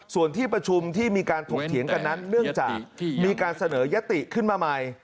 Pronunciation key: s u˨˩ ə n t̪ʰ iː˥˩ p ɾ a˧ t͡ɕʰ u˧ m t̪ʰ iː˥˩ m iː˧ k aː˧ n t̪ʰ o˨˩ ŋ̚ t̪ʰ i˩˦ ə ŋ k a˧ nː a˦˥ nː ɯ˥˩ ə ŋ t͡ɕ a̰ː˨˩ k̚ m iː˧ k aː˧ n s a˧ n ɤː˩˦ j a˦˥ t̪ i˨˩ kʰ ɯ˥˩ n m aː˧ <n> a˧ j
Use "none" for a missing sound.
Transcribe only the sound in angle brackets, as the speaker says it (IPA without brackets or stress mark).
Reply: m